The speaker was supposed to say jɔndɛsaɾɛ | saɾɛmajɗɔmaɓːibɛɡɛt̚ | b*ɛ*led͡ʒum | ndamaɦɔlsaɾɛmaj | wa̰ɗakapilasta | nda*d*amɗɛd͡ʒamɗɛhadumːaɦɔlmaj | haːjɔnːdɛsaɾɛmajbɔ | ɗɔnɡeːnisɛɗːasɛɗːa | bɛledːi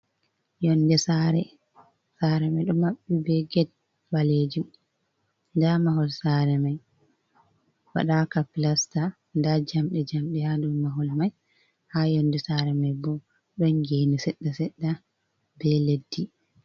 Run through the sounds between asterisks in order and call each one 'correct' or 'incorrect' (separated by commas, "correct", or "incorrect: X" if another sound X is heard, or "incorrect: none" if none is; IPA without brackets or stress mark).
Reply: incorrect: a, incorrect: d͡ʒ